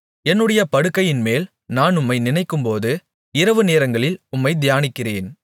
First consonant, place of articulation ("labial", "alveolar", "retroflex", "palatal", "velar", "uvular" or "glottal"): alveolar